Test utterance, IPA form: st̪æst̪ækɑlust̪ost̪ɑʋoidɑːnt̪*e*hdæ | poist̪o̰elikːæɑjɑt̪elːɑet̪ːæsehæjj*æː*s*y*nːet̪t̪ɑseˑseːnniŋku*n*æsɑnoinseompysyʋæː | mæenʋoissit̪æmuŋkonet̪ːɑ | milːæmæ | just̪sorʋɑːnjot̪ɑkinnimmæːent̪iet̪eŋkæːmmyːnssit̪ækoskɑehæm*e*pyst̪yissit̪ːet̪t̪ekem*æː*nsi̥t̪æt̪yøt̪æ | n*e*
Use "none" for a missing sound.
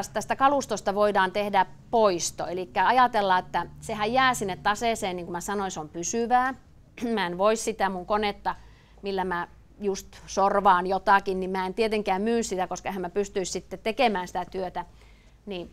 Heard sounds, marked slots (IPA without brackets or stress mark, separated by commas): e, æː, i, m, æ, æː, i